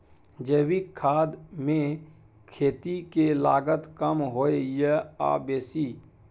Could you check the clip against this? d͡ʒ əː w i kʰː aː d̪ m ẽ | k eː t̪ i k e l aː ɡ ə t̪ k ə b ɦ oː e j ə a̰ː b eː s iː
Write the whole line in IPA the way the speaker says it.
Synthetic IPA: d͡ʒ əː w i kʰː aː d̪ m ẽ | kʰ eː t̪ i k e l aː ɡ ə t̪ k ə m ɦ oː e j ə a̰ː b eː s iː

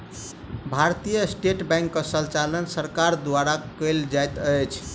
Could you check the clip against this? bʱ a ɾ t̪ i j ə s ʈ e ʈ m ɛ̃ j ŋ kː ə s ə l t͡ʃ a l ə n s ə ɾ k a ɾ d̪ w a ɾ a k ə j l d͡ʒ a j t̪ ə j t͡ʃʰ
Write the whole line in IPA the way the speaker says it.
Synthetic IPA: bʱ a ɾ t̪ i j ə s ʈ e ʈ b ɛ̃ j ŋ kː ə s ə l t͡ʃ a l ə n s ə ɾ k a ɾ d̪ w a ɾ a k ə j l d͡ʒ a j t̪ ə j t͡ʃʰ

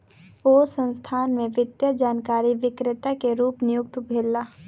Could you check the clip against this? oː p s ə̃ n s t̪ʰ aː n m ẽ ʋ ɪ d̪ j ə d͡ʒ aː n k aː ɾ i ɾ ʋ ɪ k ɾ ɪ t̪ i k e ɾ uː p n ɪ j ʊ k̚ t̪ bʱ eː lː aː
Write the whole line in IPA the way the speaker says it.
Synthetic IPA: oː s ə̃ n s t̪ʰ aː n m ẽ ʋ ɪ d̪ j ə d͡ʒ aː n k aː ɾ i ʋ ɪ k ɾ ɪ t̪ a k e ɾ uː p n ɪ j ʊ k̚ t̪ bʱ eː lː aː

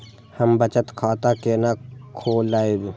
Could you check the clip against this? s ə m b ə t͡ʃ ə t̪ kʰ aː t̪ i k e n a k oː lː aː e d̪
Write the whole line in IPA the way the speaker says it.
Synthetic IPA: h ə m b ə t͡ʃ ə t̪ kʰ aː t̪ a k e n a kʰ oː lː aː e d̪

